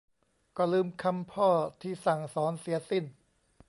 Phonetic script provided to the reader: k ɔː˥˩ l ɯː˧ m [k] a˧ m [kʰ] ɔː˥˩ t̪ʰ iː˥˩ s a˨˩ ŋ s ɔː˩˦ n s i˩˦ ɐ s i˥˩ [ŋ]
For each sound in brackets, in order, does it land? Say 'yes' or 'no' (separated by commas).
no, no, no